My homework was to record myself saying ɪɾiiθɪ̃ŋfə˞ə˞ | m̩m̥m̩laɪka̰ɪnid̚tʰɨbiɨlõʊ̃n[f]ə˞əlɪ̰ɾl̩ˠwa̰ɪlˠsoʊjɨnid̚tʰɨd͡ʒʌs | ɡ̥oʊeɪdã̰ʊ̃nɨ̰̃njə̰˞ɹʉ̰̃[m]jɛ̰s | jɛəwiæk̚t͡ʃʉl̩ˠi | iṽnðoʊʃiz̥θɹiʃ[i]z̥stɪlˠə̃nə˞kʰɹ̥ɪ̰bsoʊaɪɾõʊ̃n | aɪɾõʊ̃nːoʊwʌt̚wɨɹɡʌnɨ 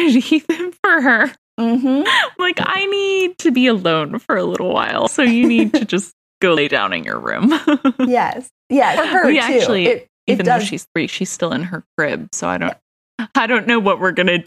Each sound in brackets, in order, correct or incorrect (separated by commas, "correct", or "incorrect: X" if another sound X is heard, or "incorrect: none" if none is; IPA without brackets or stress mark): correct, correct, correct